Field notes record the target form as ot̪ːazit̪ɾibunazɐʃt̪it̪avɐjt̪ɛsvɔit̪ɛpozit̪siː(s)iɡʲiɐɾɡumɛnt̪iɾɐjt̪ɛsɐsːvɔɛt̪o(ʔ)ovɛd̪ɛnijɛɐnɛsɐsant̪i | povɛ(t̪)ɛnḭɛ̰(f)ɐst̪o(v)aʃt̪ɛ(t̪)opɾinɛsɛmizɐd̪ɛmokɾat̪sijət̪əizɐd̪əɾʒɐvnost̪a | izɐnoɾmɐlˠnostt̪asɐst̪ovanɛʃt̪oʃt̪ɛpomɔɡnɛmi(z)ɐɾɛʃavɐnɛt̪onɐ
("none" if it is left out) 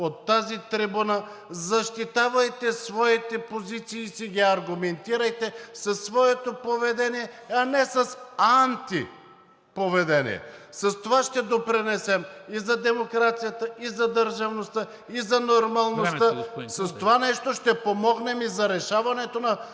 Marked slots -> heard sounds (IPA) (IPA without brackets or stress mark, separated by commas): s, p, d̪, s, v, d̪, z